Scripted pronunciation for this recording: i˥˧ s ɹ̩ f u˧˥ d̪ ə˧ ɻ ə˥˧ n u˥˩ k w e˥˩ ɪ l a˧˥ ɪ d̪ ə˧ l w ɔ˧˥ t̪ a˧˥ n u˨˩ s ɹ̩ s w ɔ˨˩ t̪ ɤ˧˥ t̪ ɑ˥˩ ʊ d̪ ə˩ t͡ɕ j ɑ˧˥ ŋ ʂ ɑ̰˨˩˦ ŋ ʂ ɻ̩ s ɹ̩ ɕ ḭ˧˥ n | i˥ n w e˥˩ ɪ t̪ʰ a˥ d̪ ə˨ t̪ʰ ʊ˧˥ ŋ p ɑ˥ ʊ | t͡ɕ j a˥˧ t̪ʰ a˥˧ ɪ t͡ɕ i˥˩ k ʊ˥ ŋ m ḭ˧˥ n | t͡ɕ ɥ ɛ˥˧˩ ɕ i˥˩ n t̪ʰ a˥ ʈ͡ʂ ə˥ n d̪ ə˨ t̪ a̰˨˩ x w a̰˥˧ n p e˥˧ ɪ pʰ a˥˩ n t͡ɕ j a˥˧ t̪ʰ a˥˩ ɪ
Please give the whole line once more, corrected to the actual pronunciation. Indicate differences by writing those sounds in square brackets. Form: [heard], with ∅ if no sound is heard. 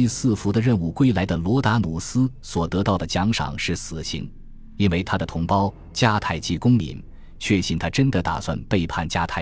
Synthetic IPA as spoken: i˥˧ s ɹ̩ f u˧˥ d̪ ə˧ ɻ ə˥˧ n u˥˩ k w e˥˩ ɪ l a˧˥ ɪ d̪ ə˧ l w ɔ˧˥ t̪ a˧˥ n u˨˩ s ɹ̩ s w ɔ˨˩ t̪ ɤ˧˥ t̪ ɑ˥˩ ʊ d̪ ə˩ t͡ɕ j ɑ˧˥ ŋ ʂ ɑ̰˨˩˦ ŋ ʂ ɻ̩ s ɹ̩ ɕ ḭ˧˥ n | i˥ n w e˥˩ ɪ t̪ʰ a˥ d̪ ə˨ t̪ʰ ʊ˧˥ ŋ p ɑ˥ ʊ | t͡ɕ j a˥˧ t̪ʰ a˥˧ ɪ t͡ɕ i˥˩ k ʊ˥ ŋ m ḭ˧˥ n | [t͡ɕʰ] ɥ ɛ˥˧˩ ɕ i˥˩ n t̪ʰ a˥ ʈ͡ʂ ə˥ n d̪ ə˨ t̪ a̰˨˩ [s] w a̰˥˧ n p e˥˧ ɪ pʰ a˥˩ n t͡ɕ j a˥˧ t̪ʰ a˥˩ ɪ